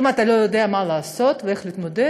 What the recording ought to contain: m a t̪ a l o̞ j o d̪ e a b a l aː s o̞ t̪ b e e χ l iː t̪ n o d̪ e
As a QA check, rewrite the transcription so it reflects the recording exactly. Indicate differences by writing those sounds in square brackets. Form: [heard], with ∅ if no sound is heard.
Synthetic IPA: m a t̪ a l o̞ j o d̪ e a [m] a l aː s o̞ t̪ [v] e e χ l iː t̪ [m] o d̪ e